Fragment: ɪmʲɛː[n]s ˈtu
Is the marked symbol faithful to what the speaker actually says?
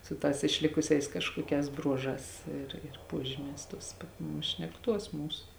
no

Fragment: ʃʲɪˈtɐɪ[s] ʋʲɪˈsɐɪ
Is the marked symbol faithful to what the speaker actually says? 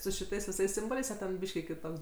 yes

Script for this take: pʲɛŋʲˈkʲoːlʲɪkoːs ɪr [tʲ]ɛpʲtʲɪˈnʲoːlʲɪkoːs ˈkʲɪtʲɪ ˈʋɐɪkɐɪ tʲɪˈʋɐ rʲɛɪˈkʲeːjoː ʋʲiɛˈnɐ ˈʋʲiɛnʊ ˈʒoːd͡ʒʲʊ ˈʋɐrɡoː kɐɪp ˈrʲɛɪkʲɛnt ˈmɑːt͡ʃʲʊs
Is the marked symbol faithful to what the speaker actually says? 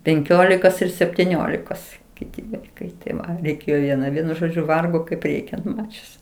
no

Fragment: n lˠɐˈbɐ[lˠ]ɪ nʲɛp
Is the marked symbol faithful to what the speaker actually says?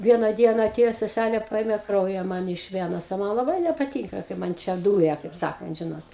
no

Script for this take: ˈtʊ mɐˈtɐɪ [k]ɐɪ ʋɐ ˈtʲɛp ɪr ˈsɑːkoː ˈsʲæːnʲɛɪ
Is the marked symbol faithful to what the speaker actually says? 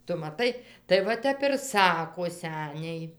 no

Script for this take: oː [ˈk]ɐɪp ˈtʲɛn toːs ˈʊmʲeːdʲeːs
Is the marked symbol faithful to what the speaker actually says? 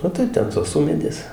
no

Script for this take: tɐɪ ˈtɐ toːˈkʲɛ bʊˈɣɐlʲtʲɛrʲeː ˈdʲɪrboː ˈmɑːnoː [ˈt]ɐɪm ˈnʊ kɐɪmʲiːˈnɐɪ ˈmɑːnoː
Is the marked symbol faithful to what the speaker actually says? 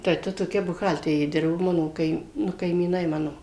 no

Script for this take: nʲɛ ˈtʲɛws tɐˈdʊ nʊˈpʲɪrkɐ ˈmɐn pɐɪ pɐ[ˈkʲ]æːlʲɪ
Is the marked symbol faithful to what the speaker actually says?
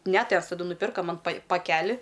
yes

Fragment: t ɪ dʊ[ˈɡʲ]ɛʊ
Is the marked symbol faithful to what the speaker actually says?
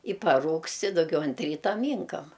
yes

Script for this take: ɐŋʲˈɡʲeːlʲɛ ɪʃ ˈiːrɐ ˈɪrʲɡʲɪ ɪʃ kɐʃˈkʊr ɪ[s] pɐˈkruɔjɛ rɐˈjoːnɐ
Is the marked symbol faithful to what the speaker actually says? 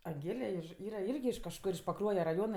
no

